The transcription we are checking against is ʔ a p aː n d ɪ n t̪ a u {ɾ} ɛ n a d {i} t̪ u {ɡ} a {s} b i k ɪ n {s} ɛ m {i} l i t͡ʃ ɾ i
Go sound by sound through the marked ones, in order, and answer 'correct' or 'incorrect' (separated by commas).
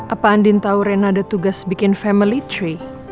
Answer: correct, incorrect, correct, correct, incorrect, correct